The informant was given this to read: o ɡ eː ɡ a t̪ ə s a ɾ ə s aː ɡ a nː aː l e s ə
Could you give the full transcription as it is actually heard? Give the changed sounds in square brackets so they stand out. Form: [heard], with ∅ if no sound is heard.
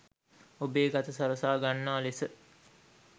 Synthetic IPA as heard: o [b] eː ɡ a t̪ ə s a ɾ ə s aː ɡ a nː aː l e s ə